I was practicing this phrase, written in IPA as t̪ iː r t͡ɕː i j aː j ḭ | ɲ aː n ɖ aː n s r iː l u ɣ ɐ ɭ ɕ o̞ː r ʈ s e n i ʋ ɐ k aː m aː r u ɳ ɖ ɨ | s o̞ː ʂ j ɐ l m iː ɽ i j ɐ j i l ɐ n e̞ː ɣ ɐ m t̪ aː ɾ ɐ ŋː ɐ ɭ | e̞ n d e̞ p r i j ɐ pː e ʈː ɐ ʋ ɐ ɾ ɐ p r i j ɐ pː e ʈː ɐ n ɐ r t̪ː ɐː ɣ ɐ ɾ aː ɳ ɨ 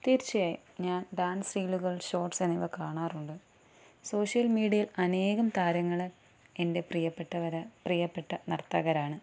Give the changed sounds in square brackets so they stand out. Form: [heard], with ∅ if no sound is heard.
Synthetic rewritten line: t̪ iː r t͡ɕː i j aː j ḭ | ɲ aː n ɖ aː n s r iː l u ɣ ɐ ɭ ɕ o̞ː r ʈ s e n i ʋ ɐ k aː [ɳ] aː r u ɳ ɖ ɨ | s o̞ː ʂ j ɐ l m iː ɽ i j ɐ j i l ɐ n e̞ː ɣ ɐ m t̪ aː ɾ ɐ ŋː ɐ ɭ | e̞ n d e̞ p r i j ɐ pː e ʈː ɐ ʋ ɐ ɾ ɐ p r i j ɐ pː e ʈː ɐ n ɐ r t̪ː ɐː ɣ ɐ ɾ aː ɳ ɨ